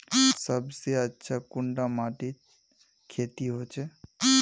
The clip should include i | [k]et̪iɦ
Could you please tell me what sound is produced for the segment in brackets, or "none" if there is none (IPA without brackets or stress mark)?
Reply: kʰ